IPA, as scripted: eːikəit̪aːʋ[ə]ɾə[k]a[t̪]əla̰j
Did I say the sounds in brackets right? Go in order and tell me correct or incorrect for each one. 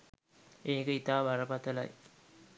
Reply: incorrect, incorrect, correct

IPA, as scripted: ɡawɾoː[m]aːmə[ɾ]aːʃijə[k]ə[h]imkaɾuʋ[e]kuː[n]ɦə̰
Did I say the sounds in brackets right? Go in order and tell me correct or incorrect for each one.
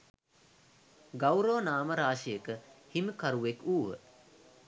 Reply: incorrect, correct, correct, correct, correct, incorrect

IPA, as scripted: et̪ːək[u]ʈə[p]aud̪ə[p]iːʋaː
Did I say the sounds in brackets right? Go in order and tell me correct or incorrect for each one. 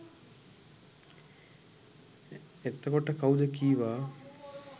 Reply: incorrect, incorrect, incorrect

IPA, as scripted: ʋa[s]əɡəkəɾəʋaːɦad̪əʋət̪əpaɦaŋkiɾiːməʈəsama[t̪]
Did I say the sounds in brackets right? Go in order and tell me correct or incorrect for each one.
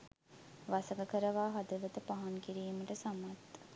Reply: correct, correct

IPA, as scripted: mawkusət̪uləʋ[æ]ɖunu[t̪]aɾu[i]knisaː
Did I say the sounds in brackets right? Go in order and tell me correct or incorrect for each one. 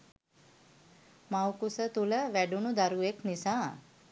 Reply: correct, incorrect, incorrect

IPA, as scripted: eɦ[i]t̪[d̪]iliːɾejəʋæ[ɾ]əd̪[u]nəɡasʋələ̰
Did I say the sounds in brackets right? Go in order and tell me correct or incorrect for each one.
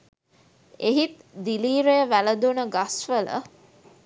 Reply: correct, correct, incorrect, correct

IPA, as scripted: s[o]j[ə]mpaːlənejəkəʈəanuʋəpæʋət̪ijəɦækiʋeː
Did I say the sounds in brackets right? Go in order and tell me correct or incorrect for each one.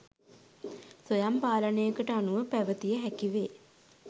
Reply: correct, incorrect

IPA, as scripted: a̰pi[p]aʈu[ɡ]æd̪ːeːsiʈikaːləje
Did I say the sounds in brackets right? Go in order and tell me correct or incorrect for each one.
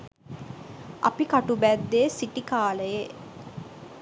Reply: incorrect, incorrect

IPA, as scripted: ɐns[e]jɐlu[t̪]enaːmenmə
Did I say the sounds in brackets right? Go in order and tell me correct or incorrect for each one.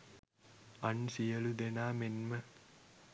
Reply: incorrect, incorrect

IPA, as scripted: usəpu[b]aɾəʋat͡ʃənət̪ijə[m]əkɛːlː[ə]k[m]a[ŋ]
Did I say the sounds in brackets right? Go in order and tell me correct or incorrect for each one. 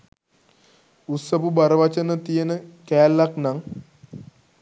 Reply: correct, incorrect, incorrect, incorrect, correct

